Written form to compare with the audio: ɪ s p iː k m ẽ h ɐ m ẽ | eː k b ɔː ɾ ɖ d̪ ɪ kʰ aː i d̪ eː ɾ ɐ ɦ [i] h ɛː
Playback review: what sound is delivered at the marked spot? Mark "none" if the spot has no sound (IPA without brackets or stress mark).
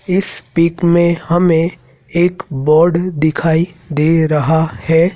a